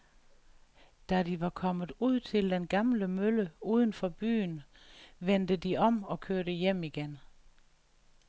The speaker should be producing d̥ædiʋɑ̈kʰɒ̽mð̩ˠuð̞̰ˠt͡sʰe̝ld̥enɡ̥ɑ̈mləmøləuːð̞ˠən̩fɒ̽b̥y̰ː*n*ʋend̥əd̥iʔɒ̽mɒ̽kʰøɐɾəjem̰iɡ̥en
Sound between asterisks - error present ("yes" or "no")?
no